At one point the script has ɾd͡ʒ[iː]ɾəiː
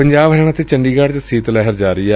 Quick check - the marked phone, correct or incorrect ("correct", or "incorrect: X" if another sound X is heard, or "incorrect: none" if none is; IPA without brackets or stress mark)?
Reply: incorrect: aː